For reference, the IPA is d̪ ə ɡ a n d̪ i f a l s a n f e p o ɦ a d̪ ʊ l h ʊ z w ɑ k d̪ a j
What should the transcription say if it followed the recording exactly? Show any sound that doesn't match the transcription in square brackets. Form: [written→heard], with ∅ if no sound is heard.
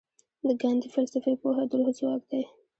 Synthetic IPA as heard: d̪ ə ɡ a n d̪ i f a l s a [n→∅] f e p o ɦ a d̪ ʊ l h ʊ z w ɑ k d̪ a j